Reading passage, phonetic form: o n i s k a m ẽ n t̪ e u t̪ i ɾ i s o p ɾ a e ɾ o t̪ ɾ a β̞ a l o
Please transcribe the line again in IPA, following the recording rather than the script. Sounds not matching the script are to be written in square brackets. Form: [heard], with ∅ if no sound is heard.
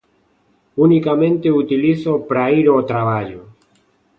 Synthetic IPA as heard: [u] n i [∅] k a m ẽ n t̪ e u t̪ i [l] i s o p ɾ a [i] ɾ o t̪ ɾ a β̞ a [ʎ] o